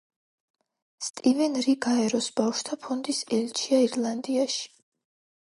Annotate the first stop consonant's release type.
ejective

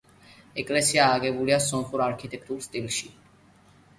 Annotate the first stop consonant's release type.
ejective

